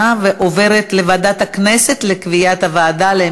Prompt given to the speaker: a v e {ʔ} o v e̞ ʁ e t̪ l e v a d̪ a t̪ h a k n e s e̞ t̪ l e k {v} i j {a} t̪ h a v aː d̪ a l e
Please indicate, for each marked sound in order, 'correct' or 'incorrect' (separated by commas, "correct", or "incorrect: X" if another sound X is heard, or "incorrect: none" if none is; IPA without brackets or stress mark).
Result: correct, correct, correct